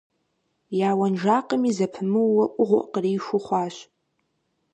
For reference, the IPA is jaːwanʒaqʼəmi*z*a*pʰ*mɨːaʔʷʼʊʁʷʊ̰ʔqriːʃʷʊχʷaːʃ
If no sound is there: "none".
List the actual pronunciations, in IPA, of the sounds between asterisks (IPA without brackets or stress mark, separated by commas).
z, pʰ